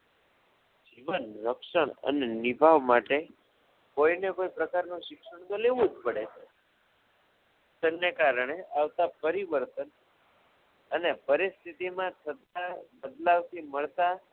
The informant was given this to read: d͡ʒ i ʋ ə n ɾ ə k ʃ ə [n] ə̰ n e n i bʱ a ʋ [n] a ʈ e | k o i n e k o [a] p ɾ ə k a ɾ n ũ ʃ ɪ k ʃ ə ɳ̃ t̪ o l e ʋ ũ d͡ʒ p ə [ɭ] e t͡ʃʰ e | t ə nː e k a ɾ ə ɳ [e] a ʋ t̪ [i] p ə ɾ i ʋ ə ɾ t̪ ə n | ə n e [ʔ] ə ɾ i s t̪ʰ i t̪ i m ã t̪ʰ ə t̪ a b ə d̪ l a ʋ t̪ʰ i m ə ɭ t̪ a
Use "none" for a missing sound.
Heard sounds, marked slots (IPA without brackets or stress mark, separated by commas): ɳ, m, i, ɽ, e, a, p